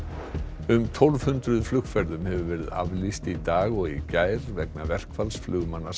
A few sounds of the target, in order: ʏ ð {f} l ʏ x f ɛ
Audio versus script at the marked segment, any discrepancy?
no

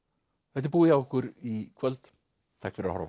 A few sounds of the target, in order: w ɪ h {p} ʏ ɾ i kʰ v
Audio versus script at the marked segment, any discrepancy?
yes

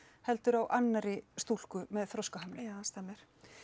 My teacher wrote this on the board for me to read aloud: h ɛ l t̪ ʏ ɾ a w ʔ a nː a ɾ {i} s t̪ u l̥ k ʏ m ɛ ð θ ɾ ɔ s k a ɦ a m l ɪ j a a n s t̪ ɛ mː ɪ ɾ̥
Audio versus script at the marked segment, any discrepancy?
yes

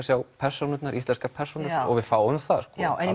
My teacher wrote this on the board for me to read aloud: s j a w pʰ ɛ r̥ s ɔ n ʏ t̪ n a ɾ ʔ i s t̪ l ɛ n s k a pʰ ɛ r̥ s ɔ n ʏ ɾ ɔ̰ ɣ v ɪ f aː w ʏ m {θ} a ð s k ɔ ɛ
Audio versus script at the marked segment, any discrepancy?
no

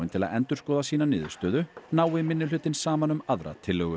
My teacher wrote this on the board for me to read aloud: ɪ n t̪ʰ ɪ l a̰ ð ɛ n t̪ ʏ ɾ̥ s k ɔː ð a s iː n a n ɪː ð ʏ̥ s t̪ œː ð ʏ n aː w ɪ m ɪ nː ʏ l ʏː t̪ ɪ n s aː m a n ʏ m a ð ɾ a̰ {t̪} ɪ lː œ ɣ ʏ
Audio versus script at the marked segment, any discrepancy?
yes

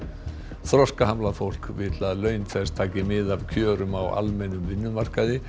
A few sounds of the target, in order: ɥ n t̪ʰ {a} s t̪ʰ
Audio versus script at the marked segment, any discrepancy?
yes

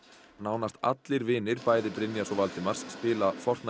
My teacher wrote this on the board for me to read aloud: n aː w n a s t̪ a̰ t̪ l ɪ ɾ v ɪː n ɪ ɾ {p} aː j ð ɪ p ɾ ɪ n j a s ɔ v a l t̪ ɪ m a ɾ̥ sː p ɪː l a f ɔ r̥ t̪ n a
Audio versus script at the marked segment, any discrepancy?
no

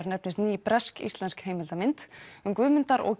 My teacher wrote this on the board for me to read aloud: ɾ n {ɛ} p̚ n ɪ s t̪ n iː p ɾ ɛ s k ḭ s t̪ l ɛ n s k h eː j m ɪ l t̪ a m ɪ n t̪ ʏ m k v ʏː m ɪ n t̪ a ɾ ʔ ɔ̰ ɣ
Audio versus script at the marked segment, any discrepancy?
no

